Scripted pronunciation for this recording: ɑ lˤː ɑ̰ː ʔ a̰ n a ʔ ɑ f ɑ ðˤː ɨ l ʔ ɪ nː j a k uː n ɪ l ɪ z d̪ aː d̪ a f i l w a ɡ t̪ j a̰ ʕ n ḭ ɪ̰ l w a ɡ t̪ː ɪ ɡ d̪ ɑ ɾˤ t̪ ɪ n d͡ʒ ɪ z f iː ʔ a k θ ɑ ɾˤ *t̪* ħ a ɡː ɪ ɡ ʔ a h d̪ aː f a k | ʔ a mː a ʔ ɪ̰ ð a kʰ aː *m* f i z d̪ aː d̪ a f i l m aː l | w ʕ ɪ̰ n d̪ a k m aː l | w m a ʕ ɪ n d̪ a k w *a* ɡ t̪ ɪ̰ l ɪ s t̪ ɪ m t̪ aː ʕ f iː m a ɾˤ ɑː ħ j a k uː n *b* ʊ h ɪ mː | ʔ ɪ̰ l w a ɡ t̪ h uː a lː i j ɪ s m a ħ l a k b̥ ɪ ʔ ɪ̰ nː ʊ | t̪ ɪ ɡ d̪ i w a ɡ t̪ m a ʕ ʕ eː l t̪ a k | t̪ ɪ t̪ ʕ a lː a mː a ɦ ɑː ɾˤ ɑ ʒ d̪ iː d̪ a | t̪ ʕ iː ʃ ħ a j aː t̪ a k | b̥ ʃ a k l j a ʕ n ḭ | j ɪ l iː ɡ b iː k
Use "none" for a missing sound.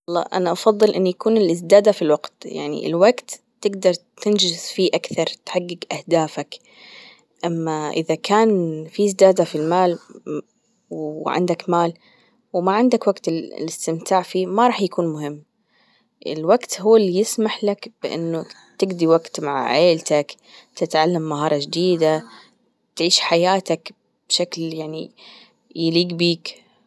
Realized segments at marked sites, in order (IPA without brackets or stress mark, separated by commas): t̪, n, a, m